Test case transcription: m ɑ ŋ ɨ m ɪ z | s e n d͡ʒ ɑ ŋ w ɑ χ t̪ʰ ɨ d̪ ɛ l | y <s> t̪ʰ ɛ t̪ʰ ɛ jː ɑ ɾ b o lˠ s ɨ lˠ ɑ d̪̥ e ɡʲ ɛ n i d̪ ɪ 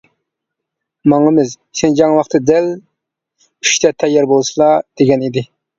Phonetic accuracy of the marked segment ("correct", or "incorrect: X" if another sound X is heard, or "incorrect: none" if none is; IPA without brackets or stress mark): incorrect: ʃ